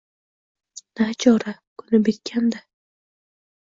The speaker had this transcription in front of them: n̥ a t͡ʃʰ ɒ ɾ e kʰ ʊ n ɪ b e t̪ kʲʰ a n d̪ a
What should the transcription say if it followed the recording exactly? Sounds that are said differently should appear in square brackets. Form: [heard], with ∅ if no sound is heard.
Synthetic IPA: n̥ a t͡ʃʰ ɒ ɾ [a] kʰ ʊ n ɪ b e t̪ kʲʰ a n d̪ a